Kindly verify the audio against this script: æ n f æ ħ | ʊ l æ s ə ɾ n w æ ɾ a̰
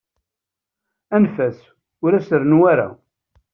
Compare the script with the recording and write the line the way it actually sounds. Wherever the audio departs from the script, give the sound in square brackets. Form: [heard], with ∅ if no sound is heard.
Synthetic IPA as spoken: æ n f æ [s] | ʊ [ɾ] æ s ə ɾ n w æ ɾ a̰